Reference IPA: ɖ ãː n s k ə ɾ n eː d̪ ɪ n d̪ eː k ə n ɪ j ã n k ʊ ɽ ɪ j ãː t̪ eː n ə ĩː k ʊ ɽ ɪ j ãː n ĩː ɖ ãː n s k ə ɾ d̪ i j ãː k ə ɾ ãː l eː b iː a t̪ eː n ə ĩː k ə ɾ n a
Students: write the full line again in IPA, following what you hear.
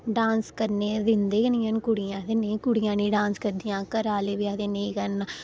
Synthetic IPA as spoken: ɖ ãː n s k ə ɾ n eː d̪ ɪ n d̪ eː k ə n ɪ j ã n k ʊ ɽ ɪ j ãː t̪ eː n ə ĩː k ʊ ɽ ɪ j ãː n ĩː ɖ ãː n s k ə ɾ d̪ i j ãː k ə ɾ aː l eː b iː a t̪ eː n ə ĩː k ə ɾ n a